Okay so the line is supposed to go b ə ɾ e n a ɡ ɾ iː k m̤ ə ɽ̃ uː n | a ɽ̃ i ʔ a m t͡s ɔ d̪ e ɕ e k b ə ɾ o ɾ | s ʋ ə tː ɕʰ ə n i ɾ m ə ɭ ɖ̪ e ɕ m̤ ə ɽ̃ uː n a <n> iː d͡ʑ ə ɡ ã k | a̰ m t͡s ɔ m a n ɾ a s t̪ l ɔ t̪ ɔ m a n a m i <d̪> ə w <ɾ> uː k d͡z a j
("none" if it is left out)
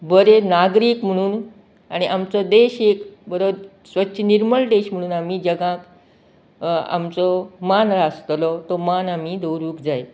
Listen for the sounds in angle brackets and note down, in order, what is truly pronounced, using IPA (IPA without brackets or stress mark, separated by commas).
m, d̪, ɾ